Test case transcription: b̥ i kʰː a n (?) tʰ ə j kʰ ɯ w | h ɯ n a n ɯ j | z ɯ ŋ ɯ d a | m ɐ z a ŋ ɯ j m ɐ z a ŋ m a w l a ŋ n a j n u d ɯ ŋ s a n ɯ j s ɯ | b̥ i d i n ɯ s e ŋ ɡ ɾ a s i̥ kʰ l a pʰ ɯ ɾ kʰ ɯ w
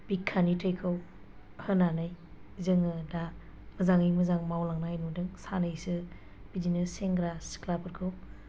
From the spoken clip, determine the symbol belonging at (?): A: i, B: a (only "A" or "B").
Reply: A